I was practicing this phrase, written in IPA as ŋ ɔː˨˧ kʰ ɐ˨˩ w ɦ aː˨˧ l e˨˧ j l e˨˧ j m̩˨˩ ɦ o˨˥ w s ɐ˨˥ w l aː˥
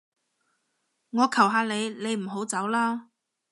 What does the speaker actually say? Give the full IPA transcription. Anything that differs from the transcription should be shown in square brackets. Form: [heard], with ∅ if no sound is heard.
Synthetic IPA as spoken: ŋ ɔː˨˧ kʰ ɐ˨˩ w ɦ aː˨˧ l e˨˧ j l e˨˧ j m̩˨˩ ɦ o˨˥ w [t͡s] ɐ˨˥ w l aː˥